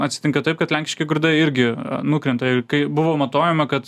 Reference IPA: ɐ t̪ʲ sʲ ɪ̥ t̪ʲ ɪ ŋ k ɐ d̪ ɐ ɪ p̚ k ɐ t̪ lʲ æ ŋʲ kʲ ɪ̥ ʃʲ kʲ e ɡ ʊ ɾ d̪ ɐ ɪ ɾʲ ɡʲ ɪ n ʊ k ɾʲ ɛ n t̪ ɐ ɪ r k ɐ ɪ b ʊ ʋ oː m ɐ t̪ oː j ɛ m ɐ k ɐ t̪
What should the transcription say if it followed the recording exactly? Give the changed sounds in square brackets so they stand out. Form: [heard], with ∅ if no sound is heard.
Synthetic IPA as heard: ɐ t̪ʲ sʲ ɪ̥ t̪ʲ ɪ ŋ k ɐ [t̪] ɐ ɪ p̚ k ɐ t̪ lʲ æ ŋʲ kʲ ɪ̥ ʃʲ kʲ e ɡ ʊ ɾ d̪ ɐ ɪ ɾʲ ɡʲ ɪ n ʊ k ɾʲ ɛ n t̪ ɐ ɪ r k ɐ ɪ b ʊ ʋ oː m ɐ t̪ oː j ɛ m ɐ k ɐ t̪